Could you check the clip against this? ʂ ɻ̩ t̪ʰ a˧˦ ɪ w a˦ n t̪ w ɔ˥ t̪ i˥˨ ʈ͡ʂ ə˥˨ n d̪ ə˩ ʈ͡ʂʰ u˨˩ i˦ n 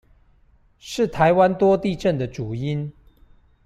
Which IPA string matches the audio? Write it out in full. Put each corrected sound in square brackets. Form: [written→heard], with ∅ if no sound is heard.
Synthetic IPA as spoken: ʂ ɻ̩ t̪ʰ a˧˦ ɪ w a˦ n t̪ w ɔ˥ t̪ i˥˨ ʈ͡ʂ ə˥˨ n d̪ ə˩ [ʈ͡ʂʰ→ʈ͡ʂ] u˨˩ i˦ n